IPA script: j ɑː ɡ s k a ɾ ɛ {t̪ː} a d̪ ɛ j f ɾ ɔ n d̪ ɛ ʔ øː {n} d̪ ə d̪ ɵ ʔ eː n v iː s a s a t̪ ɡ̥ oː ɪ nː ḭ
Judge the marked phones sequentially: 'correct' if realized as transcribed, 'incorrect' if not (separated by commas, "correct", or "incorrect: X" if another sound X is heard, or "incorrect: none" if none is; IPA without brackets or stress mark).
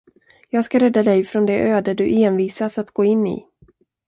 incorrect: d̪ː, incorrect: none